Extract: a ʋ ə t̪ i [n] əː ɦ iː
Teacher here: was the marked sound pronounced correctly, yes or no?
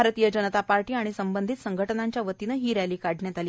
yes